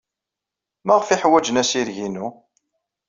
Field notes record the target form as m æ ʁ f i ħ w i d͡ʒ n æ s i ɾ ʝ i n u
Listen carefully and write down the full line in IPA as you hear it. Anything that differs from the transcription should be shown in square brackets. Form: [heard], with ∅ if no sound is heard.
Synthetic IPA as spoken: m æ ʁ f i ħ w [æ] d͡ʒ n æ s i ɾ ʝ i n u